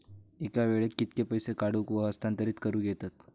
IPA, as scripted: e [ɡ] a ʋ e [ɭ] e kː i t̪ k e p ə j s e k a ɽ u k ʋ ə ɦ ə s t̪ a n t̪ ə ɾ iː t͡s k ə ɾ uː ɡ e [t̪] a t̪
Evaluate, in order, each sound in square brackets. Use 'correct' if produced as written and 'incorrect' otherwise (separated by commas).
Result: incorrect, correct, correct